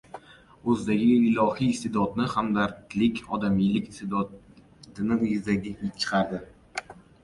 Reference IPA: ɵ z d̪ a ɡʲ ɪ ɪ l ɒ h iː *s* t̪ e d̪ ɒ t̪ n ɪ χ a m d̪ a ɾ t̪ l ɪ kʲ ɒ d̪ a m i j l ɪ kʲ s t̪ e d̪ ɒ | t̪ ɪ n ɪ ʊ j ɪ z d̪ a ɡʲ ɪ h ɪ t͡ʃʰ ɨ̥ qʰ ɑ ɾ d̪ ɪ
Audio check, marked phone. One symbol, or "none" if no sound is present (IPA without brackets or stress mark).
s